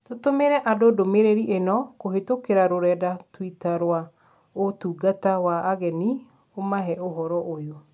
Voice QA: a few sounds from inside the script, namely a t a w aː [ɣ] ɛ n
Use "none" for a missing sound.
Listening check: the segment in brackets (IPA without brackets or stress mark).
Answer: ɣ